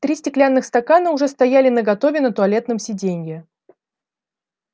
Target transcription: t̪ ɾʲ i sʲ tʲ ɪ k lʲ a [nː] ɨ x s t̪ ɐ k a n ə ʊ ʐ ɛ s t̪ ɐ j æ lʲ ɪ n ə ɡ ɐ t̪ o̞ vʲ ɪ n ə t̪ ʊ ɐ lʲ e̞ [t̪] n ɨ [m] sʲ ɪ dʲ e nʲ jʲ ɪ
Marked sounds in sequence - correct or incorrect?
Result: correct, correct, correct

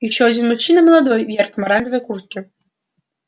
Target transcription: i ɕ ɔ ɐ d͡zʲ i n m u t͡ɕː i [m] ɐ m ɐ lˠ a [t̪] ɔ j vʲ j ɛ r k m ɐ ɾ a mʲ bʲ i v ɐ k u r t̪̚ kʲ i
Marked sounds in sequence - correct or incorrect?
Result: incorrect: n, incorrect: d̪

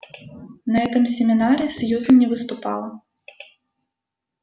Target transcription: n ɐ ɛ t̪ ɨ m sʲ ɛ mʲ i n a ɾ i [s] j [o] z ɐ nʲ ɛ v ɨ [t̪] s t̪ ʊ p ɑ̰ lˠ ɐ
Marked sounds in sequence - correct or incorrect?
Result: correct, incorrect: u, incorrect: none

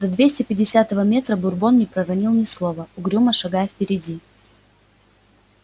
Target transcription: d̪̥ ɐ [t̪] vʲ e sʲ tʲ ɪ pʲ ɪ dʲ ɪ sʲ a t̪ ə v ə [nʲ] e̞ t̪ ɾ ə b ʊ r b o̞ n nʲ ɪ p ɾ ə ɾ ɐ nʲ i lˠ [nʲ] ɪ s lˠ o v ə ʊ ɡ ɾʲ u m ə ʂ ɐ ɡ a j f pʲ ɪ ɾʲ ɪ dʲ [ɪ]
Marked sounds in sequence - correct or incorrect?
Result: incorrect: d̪, incorrect: mʲ, correct, incorrect: i

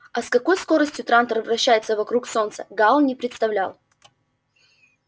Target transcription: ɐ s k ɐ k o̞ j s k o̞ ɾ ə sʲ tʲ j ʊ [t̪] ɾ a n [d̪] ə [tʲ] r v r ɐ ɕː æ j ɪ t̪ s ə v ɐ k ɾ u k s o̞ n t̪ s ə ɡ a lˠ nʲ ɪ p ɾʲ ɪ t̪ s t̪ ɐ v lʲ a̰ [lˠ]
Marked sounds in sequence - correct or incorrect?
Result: correct, incorrect: t̪, incorrect: none, correct

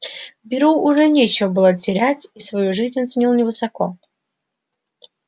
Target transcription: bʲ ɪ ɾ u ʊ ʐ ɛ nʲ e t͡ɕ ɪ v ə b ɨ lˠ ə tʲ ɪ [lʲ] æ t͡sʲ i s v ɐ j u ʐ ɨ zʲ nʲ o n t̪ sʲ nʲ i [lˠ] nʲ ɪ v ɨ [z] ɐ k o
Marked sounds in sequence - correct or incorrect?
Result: incorrect: ɾʲ, correct, incorrect: s

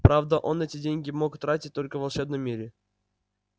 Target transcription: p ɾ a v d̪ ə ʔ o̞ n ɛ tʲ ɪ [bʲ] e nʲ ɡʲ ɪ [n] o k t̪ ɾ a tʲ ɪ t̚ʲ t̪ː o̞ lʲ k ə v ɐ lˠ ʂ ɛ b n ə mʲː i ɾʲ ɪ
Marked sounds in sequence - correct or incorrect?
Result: incorrect: dʲ, incorrect: m

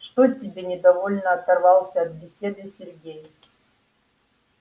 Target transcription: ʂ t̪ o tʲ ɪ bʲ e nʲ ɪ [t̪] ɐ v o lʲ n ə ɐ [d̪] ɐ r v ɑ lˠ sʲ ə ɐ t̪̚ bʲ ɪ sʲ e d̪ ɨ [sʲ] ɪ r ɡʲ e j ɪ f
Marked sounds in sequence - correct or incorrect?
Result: incorrect: d̪, incorrect: t̪, correct

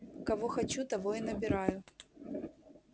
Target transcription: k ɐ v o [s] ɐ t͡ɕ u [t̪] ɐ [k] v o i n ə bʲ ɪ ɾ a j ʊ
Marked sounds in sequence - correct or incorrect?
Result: incorrect: x, correct, incorrect: none

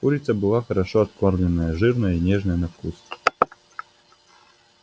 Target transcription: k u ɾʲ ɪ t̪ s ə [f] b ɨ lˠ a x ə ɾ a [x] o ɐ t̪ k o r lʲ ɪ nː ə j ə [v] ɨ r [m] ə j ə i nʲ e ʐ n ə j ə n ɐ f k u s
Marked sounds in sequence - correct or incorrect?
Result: incorrect: none, incorrect: ʂ, incorrect: ʐ, incorrect: n

